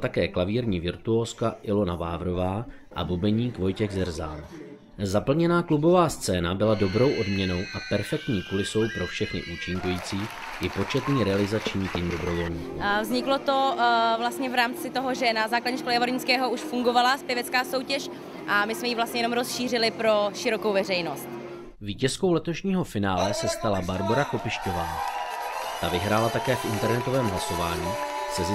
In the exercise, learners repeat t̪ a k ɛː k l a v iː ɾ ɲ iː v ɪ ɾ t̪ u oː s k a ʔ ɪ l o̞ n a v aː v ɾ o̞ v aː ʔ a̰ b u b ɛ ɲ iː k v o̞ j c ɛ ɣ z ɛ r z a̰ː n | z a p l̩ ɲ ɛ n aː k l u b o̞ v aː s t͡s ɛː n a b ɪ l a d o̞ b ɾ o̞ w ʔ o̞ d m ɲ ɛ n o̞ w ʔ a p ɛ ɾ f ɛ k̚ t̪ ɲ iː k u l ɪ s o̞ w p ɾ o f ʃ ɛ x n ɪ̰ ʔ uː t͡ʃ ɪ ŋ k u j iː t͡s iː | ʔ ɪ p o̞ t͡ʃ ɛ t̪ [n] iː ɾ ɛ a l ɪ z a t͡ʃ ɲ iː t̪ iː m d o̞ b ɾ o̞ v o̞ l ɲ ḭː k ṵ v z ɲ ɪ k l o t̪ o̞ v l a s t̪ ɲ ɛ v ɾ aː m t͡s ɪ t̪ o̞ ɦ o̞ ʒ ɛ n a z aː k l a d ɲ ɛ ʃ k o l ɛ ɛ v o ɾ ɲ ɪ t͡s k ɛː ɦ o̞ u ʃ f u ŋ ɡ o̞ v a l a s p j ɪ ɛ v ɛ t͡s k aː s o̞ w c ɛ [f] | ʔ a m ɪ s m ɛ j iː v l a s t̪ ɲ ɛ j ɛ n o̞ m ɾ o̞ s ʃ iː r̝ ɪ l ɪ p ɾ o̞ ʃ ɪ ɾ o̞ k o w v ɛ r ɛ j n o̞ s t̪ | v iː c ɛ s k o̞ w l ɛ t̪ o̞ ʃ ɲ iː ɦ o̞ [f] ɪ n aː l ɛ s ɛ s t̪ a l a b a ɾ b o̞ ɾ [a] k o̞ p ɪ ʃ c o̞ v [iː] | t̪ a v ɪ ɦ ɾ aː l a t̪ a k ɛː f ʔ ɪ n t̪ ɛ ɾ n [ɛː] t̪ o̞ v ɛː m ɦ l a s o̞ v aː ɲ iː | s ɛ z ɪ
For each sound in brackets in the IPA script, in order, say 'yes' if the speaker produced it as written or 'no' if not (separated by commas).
yes, no, yes, yes, no, no